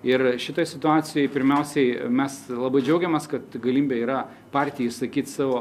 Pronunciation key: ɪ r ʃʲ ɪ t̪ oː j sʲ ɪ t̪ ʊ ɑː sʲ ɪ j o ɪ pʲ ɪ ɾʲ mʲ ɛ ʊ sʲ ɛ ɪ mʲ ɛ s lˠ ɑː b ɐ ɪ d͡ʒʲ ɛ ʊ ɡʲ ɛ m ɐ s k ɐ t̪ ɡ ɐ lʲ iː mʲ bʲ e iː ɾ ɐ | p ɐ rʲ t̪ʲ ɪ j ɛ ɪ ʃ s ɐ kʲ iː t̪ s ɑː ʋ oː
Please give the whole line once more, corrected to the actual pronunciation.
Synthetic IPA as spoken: ɪ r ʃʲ ɪ t̪ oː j sʲ ɪ t̪ ʊ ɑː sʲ ɪ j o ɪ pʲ ɪ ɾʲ mʲ ɛ ʊ sʲ ɛ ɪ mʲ ɛ s lˠ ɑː b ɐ ɪ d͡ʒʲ ɛ ʊ ɡʲ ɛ m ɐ s k ɐ t̪ ɡ ɐ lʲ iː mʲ bʲ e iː ɾ ɐ | p ɑ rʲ t̪ʲ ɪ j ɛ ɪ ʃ s ɐ kʲ iː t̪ s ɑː ʋ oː